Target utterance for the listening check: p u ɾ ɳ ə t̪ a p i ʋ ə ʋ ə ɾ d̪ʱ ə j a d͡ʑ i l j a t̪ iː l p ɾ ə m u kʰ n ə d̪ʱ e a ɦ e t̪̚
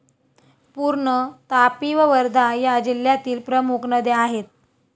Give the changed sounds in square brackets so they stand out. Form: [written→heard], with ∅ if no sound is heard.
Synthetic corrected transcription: p u ɾ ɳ ə t̪ a p i ʋ ə ʋ ə ɾ d̪ʱ [ə→a] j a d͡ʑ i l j a t̪ iː l p ɾ ə m u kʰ n ə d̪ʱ e a ɦ e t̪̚